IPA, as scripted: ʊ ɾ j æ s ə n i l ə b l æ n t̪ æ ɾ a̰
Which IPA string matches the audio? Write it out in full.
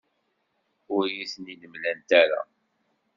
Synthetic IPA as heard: ʊ ɾ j i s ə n i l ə m l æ n t̪ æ ɾ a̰